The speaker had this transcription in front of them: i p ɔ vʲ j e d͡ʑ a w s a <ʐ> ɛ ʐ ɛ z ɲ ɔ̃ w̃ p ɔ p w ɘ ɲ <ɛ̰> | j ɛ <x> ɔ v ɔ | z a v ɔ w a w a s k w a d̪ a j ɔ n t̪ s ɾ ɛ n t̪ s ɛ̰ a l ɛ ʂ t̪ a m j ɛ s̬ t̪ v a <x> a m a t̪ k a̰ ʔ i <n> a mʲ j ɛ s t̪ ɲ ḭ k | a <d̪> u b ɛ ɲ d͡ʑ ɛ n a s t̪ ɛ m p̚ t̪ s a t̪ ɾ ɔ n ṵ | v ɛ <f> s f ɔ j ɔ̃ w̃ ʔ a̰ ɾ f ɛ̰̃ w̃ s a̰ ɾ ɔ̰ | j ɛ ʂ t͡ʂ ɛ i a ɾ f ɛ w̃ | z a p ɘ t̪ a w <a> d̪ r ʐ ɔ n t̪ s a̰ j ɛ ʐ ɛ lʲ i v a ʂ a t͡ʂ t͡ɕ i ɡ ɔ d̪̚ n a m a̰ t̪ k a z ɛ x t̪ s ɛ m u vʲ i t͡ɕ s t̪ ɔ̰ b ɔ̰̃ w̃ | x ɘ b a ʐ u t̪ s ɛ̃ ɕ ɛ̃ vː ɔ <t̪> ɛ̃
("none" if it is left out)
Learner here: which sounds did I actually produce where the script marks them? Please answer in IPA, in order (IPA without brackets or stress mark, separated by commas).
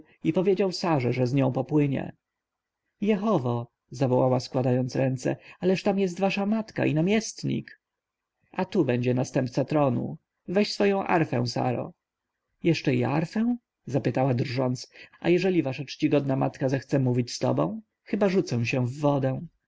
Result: ʐ, ɛ̰, x, ʂ, n, t̪, ɕ, a, d̪